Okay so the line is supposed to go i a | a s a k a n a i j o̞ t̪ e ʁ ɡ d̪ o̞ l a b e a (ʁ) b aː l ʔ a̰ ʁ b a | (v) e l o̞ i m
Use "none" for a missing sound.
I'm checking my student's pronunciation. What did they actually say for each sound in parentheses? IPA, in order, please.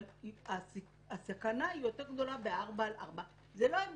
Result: ʁ, z

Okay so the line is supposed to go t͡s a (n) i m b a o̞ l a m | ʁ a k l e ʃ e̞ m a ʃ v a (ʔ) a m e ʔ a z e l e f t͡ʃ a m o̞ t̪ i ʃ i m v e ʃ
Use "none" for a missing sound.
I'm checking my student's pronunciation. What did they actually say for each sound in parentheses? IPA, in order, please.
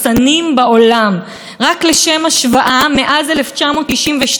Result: n, ʔ

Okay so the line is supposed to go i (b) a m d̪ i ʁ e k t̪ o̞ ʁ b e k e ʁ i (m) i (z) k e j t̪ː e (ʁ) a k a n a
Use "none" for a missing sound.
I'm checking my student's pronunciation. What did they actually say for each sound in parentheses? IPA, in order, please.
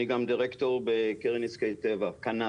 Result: ɡ, n, s, v

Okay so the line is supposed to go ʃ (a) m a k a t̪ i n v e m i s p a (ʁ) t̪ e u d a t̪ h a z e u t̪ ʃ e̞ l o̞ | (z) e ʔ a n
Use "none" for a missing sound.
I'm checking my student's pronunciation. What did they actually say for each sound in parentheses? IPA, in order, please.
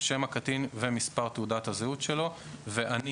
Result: e, ʁ, v

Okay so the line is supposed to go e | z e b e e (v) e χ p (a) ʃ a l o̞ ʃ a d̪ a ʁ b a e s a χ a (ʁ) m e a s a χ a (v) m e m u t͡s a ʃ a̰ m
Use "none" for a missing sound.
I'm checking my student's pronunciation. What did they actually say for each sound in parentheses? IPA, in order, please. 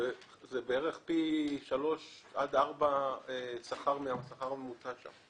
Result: ʁ, i, ʁ, ʁ

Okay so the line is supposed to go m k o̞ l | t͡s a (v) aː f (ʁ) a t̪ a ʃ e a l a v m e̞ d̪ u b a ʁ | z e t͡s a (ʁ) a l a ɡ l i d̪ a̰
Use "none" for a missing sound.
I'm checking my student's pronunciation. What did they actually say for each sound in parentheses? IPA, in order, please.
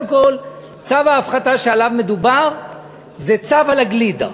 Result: v, χ, v

